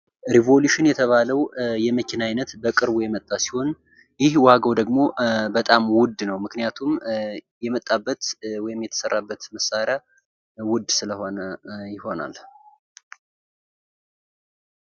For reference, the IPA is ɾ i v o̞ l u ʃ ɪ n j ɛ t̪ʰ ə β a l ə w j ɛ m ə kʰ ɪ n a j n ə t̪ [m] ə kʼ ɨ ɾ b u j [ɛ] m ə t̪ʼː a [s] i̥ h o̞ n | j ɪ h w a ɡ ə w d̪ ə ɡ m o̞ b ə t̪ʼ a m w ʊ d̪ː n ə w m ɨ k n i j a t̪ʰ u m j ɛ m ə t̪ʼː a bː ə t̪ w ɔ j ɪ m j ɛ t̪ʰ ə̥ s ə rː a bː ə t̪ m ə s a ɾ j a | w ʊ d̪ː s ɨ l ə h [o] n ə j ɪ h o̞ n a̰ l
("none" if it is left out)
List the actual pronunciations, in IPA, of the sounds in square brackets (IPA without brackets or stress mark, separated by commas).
b, ɛ, s, o